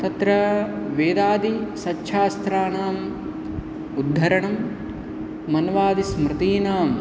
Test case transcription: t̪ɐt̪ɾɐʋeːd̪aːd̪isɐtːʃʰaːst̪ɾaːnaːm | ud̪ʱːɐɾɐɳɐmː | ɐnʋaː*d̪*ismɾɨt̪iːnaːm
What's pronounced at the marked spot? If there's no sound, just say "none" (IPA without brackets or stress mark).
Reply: d̪